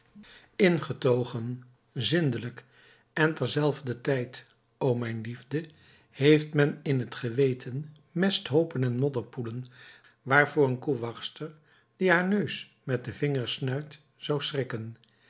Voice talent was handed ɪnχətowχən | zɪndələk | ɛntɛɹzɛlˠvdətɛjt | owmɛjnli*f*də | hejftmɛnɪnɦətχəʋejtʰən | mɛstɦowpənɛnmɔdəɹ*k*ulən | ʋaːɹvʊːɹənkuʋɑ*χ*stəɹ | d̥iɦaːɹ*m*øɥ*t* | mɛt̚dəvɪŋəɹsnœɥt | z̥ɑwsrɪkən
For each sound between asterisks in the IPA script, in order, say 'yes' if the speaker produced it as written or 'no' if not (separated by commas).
no, no, yes, no, no